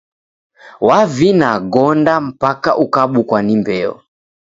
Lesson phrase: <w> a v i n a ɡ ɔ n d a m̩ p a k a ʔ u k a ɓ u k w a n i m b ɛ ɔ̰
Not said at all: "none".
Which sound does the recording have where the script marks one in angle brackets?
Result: w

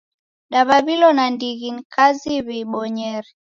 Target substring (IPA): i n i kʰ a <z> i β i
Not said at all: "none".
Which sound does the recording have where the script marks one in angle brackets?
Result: z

